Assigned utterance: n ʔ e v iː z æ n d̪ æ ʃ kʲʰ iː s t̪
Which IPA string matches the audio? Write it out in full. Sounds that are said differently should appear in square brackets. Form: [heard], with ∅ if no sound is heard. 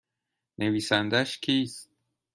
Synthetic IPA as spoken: n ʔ e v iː [s] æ n d̪ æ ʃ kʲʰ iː s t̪